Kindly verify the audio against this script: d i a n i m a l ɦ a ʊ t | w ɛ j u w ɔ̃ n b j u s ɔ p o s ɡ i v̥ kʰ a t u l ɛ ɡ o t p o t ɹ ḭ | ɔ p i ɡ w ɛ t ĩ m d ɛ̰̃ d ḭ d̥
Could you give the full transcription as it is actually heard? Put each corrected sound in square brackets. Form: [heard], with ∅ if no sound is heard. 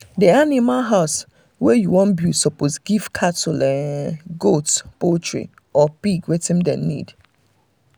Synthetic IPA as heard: d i a n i m a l ɦ a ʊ [s] | w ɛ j u w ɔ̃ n b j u s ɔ p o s ɡ i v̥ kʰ a t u l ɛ ɡ o t p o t ɹ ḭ | ɔ p i ɡ w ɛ t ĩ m d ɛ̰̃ [n] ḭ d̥